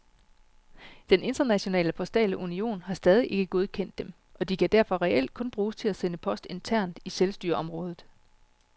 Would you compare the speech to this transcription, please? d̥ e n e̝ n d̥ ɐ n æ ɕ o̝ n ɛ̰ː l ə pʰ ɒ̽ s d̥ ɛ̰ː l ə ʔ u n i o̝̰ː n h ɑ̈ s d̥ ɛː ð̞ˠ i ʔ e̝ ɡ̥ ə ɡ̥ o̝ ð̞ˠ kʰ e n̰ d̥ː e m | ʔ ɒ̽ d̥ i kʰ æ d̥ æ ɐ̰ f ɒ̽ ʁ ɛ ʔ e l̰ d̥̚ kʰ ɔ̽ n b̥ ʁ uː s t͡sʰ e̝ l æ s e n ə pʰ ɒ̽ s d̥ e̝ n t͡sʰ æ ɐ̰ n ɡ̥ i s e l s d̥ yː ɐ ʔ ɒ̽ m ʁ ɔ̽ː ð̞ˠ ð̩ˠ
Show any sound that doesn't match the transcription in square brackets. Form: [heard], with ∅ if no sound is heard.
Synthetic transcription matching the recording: d̥ e n e̝ n d̥ ɐ n æ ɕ o̝ n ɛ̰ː l ə pʰ ɒ̽ s d̥ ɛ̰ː l ə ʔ u n i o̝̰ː n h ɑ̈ s d̥ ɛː ð̞ˠ i ʔ e̝ ɡ̥ ə ɡ̥ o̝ ð̞ˠ kʰ e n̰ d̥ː e m | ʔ ɒ̽ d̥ i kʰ æ d̥ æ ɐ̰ f ɒ̽ ʁ ɛ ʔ e l̰ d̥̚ kʰ ɔ̽ n b̥ ʁ uː s t͡sʰ e̝ l æ s e n ə pʰ ɒ̽ s d̥ e̝ n t͡sʰ æ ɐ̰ n [d̥] i s e l s d̥ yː ɐ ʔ ɒ̽ m ʁ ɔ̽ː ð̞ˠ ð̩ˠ

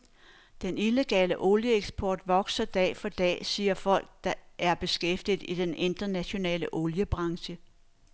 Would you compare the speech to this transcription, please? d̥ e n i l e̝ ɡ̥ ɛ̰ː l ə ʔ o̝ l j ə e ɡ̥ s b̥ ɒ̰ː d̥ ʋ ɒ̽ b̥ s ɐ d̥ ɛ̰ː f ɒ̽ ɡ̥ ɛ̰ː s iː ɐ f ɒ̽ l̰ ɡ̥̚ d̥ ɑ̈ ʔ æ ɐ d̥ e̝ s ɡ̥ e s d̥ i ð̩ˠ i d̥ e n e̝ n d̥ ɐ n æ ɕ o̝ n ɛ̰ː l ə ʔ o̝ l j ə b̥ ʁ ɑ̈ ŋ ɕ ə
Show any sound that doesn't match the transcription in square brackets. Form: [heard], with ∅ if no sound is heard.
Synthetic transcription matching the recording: d̥ e n i l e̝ ɡ̥ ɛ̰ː l ə ʔ o̝ l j ə e ɡ̥ s b̥ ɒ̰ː d̥ ʋ ɒ̽ [ɡ̥] s ɐ d̥ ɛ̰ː f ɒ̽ [d̥] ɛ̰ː s iː ɐ f ɒ̽ l̰ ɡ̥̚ d̥ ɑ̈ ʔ æ ɐ [b̥] e̝ s ɡ̥ e [f] d̥ i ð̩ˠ i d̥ e n e̝ n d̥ ɐ n æ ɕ o̝ n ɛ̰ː l ə ʔ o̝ l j ə b̥ ʁ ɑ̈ ŋ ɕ ə

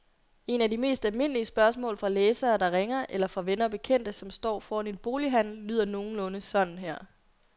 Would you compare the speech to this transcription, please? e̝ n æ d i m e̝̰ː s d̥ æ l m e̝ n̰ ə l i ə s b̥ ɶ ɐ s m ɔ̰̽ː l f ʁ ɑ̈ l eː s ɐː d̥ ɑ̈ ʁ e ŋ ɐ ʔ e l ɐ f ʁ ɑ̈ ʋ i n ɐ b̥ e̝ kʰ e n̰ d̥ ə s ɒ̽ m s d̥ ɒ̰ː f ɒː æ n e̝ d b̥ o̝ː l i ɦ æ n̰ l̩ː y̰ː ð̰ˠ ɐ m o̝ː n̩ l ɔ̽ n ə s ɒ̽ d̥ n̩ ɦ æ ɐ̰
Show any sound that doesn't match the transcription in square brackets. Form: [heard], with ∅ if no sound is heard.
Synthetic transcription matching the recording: e̝ n æ d i m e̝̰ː s d̥ æ l m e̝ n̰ ə l i ə s b̥ ɶ ɐ s m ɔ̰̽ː l f ʁ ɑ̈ l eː s ɐː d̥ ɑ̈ ʁ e ŋ ɐ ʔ e l ɐ f ʁ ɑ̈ ʋ [e] n ɐ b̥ e̝ kʰ e n̰ d̥ ə s ɒ̽ m s d̥ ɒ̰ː f ɒː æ n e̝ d b̥ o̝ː l i ɦ æ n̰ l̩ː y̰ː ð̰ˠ ɐ [n] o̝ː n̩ l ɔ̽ n ə s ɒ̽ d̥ n̩ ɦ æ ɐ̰

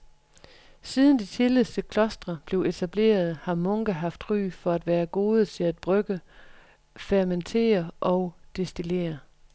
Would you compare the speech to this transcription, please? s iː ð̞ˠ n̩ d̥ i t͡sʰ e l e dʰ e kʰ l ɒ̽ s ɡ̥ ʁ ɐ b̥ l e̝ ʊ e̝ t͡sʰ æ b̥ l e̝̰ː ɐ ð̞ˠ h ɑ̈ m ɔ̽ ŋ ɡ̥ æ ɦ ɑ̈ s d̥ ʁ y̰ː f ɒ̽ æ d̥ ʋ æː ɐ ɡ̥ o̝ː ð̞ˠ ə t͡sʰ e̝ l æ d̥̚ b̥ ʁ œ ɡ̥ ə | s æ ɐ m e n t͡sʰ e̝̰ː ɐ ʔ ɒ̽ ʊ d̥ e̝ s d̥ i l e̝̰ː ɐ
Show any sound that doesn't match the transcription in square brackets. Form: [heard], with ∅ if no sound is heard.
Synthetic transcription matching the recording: s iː ð̞ˠ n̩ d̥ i t͡sʰ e l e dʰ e kʰ l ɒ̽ s [d̥] ʁ ɐ b̥ l e̝ ʊ e̝ t͡sʰ æ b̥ l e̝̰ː ɐ ð̞ˠ h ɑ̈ m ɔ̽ ŋ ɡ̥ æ ɦ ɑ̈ [f] d̥ ʁ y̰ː f ɒ̽ æ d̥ ʋ æː ɐ ɡ̥ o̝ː ð̞ˠ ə t͡sʰ e̝ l æ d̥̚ b̥ ʁ œ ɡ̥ ə | [f] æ ɐ m e n t͡sʰ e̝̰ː ɐ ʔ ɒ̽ ʊ d̥ e̝ s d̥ i l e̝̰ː ɐ

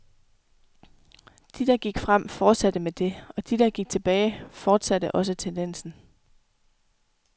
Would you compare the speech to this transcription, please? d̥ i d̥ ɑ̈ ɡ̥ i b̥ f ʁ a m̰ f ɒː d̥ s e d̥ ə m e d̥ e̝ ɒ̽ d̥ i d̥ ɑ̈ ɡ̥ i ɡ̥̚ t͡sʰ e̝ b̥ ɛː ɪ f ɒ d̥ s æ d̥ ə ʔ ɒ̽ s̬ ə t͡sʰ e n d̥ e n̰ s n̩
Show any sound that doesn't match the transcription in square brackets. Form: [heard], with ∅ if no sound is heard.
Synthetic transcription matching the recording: d̥ i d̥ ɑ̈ ɡ̥ i [ɡ̥] f ʁ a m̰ f ɒː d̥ s [æ] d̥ ə m e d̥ e̝ ɒ̽ d̥ i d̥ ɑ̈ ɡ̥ i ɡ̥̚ t͡sʰ e̝ b̥ ɛː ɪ f [ɒː] d̥ s æ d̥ ə ʔ ɒ̽ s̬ ə t͡sʰ e n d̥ e n̰ s n̩

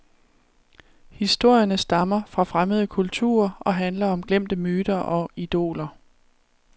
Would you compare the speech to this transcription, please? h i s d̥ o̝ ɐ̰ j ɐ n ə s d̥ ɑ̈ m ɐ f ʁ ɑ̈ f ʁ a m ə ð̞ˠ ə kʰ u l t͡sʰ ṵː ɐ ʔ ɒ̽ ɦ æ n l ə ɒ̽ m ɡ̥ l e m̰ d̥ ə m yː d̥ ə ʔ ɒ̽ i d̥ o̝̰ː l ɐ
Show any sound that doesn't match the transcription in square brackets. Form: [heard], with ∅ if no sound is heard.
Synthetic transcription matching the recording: h i s d̥ o̝ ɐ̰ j ɐ n ə s d̥ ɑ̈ m ɐ f ʁ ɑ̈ f ʁ a m ə ð̞ˠ ə kʰ u l t͡sʰ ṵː ɐ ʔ ɒ̽ ɦ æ n l [ɐ] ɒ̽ m ɡ̥ l e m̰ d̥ ə m yː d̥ [ɐ] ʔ ɒ̽ i d̥ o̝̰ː l ɐ

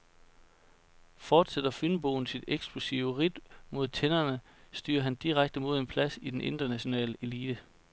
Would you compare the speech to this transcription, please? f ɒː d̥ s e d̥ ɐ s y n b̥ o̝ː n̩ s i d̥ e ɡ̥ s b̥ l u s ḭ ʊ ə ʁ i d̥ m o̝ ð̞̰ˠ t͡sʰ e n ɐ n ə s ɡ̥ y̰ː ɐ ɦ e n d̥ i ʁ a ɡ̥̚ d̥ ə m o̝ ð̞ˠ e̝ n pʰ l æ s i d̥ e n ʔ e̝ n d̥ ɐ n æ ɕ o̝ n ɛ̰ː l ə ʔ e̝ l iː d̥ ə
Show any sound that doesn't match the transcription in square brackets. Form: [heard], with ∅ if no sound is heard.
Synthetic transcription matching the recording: f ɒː d̥ s e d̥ ɐ [f] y n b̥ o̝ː n̩ s i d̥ e ɡ̥ s b̥ l u s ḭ ʊ ə ʁ i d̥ m o̝ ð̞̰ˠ t͡sʰ e n ɐ n ə s [d̥] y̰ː ɐ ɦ [æ] n d̥ i ʁ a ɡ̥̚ d̥ ə m o̝ ð̞ˠ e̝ n pʰ l æ s i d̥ e n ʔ e̝ n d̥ ɐ n æ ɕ o̝ n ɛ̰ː l ə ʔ e̝ l iː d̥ ə

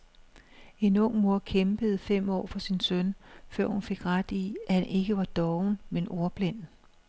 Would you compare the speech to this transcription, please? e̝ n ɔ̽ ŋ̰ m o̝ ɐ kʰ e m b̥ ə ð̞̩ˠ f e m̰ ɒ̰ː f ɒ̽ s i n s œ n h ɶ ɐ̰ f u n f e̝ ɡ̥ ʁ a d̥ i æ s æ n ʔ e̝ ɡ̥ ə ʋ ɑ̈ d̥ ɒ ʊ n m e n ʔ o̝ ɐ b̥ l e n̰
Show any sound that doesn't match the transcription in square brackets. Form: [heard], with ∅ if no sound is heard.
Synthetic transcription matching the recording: e̝ n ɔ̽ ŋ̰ m o̝ ɐ kʰ e m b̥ ə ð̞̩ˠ f e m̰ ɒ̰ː f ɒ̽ s i n s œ n [f] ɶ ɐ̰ [h] u n f e̝ ɡ̥ ʁ a d̥ i æ [h] æ n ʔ e̝ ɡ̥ ə ʋ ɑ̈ d̥ ɒ ʊ n m e n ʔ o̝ ɐ b̥ l e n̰

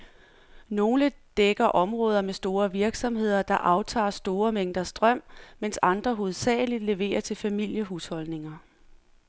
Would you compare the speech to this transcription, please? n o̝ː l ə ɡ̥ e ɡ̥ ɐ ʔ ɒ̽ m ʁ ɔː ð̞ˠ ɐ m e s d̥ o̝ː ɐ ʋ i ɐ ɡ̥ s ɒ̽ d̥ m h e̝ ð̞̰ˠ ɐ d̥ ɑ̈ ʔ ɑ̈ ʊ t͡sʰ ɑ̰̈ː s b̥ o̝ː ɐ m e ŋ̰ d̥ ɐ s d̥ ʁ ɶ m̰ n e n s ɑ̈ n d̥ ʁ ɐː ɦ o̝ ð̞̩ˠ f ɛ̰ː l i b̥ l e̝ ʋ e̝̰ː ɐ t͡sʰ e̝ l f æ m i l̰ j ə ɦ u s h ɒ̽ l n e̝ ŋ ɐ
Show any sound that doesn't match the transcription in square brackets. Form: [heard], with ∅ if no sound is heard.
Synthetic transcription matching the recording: n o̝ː l ə [d̥] e ɡ̥ ɐ ʔ ɒ̽ m ʁ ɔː ð̞ˠ ɐ m e s d̥ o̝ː ɐ ʋ i ɐ ɡ̥ s ɒ̽ [∅] m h e̝ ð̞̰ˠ ɐ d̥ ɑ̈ ʔ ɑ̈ ʊ t͡sʰ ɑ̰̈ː s [d̥] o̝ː ɐ m e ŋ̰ d̥ ɐ s d̥ ʁ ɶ m̰ [m] e n s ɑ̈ n d̥ ʁ [ɐ] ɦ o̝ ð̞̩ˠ [s] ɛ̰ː l i [d̥] l e̝ ʋ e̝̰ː ɐ t͡sʰ e̝ l f æ m i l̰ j ə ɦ u s h ɒ̽ l n e̝ ŋ ɐ

